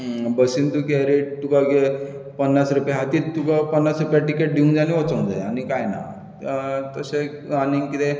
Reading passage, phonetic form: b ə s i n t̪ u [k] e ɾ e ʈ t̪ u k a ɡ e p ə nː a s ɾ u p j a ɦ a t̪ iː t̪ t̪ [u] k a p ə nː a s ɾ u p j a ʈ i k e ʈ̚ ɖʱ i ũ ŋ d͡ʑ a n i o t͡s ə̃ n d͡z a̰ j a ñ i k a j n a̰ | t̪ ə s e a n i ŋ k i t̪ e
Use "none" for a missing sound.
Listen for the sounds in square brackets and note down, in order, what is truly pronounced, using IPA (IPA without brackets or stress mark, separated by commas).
k, u